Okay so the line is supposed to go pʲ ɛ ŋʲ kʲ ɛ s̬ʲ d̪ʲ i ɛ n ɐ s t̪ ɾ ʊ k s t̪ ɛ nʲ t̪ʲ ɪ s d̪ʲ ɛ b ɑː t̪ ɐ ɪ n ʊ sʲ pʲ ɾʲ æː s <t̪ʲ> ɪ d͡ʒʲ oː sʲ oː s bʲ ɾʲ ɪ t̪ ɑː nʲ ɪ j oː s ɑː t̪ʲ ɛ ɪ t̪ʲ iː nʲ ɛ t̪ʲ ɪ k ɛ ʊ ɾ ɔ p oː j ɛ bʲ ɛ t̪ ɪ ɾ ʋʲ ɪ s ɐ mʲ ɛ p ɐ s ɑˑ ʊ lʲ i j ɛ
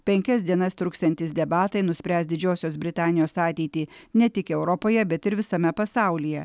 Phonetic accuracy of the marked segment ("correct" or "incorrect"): incorrect